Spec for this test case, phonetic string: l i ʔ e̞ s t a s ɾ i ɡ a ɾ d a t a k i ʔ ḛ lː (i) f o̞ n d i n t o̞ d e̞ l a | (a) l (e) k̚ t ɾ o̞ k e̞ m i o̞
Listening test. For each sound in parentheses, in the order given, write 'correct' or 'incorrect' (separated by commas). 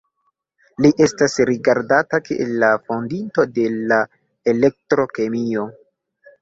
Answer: incorrect, incorrect, correct